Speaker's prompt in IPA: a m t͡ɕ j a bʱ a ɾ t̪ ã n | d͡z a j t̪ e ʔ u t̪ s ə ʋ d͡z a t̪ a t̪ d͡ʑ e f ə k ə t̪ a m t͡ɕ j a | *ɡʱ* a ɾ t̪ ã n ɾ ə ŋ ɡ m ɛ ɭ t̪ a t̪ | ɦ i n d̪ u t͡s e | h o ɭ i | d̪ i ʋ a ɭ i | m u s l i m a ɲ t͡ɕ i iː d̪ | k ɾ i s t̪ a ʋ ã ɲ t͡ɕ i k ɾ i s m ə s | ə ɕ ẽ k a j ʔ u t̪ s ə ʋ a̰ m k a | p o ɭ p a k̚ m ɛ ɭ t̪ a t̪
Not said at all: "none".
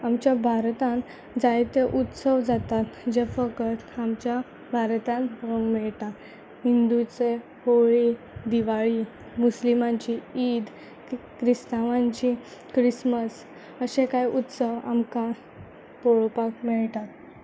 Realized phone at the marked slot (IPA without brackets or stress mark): bʱ